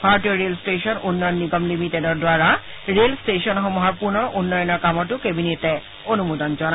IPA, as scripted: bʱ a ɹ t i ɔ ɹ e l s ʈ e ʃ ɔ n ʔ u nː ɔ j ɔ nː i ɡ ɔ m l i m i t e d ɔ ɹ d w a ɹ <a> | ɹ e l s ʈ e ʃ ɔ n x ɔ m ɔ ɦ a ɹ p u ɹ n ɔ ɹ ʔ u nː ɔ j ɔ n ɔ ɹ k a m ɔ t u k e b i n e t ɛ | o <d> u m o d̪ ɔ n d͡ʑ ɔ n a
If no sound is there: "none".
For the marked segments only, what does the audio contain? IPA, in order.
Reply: a, n

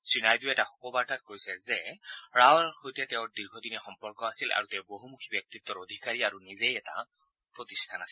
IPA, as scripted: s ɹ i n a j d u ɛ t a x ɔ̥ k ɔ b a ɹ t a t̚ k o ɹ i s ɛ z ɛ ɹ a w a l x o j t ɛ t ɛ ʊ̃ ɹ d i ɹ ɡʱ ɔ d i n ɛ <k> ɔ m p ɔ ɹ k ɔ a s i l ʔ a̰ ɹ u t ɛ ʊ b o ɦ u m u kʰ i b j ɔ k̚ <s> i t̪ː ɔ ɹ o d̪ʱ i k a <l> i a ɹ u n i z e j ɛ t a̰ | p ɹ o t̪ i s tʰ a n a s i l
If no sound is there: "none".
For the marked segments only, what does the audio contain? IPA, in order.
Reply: x, t, ɹ

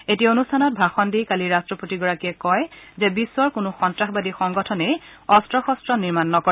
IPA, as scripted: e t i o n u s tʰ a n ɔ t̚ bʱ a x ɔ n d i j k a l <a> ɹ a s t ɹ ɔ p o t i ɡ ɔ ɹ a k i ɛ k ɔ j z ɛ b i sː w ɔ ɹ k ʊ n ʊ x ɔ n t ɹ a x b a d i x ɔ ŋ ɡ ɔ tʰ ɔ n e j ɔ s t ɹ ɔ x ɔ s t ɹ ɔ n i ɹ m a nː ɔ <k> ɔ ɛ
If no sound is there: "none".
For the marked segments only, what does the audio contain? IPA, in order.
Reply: i, k

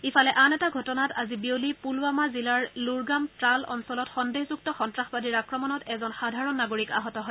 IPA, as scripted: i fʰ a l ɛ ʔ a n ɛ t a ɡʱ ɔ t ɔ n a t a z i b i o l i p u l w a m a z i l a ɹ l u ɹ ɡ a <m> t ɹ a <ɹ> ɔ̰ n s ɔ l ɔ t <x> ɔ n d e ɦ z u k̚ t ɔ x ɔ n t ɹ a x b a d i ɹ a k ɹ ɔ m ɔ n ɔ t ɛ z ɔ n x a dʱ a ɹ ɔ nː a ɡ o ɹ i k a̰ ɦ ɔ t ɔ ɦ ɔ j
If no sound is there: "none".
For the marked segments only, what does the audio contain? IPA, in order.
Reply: m, l, x

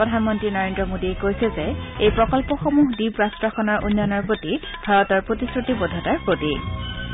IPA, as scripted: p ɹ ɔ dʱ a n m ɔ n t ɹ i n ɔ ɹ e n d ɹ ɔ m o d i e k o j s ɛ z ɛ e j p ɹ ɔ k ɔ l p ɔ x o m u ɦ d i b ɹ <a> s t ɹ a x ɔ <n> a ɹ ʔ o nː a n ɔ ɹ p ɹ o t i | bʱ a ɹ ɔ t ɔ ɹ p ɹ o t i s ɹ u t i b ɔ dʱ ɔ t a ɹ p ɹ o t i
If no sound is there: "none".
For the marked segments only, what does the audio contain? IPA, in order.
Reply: a, n

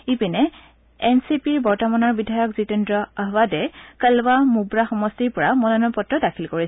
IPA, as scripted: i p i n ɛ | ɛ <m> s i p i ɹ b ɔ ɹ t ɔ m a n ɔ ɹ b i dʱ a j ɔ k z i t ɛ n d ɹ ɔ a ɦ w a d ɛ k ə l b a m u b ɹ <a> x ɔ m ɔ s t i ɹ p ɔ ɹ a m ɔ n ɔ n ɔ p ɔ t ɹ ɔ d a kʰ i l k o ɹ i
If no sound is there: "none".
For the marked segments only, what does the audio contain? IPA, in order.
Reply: n, a

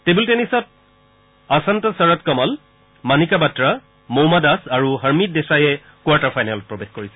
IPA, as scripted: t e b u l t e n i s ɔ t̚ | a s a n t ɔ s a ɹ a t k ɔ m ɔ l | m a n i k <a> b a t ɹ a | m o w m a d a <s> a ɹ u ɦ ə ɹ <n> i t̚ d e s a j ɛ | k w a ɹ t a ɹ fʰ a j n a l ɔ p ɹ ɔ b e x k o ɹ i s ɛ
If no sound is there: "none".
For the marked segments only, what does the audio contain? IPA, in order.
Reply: a, s, m

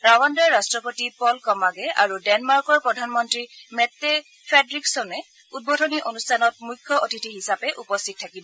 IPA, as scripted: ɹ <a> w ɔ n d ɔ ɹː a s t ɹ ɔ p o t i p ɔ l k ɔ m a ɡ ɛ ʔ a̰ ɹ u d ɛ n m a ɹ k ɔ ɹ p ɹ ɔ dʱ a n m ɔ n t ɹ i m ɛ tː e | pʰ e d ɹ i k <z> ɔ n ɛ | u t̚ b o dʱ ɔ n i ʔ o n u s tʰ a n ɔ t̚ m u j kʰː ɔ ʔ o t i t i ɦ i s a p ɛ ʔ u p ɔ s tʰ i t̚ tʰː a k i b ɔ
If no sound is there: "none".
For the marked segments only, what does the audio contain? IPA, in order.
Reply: a, s

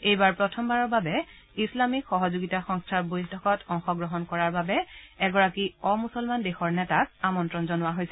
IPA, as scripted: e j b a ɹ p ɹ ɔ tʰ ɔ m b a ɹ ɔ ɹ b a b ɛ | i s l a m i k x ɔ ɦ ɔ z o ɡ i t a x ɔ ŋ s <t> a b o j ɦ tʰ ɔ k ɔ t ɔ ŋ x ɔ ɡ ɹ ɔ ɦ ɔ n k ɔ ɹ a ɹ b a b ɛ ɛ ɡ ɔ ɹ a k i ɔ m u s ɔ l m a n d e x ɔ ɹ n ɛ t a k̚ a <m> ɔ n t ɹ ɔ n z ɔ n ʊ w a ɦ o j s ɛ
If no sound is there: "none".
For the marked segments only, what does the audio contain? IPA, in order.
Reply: tʰ, m

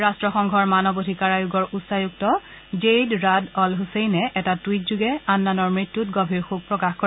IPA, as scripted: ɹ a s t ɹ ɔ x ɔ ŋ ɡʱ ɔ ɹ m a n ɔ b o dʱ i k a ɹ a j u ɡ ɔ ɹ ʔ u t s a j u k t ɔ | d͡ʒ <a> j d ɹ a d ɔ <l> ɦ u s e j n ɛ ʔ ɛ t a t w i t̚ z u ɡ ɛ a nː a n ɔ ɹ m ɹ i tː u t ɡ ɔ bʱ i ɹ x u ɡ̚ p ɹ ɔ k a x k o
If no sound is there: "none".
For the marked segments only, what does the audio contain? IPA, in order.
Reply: e, l

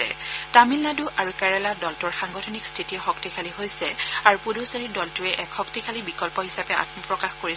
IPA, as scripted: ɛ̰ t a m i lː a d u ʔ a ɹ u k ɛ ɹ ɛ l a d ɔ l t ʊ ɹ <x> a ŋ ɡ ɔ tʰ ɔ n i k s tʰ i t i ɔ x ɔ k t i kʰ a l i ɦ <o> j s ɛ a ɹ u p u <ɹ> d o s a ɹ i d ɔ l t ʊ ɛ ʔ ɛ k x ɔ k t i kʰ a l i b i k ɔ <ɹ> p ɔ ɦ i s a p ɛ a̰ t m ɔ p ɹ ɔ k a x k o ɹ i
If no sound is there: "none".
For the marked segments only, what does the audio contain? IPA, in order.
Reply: x, o, none, l

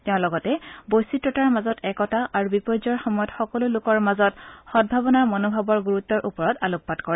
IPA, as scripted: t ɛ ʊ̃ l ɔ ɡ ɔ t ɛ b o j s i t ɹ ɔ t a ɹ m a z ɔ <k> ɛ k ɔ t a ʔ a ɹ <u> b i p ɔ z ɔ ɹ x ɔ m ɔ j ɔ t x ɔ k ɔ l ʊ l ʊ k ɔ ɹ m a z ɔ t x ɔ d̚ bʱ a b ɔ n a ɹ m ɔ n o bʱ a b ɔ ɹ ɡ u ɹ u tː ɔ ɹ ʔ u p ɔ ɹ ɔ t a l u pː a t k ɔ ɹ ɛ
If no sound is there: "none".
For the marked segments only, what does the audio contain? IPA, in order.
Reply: t, u

